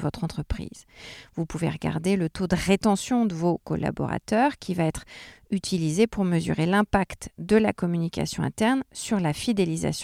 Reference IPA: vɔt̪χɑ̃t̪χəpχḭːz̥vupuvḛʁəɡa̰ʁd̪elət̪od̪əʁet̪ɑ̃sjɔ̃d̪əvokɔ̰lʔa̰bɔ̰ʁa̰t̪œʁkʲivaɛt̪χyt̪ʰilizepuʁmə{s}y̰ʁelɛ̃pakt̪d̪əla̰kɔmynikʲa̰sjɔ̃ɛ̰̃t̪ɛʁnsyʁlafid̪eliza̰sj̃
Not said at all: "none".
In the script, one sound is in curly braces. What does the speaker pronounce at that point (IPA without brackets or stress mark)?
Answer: z